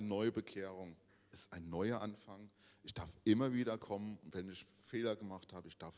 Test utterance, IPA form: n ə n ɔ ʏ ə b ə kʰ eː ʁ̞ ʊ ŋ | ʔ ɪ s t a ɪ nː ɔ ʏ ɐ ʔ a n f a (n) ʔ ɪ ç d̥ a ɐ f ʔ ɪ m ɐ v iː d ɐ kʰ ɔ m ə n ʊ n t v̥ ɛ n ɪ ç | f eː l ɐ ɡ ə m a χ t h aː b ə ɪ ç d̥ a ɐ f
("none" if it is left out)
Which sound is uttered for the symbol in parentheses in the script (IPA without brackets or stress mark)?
ŋ